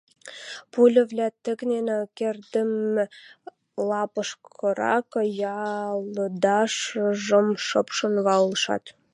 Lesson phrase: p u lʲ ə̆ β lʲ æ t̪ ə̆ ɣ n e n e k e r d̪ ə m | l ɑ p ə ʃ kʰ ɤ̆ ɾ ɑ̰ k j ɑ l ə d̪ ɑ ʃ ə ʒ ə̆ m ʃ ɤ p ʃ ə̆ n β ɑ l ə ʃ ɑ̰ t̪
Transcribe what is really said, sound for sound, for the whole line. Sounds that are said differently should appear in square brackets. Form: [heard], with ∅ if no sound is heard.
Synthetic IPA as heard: p u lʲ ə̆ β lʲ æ t̪ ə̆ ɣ n e n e k e r d̪ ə m | l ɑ p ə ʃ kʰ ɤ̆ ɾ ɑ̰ k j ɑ l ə d̪ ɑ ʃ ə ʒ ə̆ m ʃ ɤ p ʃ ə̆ n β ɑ l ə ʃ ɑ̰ t̪